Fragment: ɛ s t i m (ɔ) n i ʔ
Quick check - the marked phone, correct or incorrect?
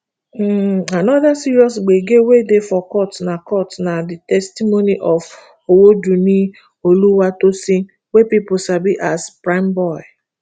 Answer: incorrect